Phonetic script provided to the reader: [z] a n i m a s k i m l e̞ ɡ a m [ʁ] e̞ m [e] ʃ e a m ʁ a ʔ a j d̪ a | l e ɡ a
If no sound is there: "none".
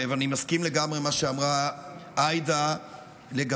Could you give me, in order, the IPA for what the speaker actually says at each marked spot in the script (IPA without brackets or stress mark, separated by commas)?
v, ʁ, a